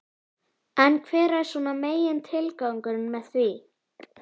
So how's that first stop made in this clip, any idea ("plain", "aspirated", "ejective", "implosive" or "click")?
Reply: aspirated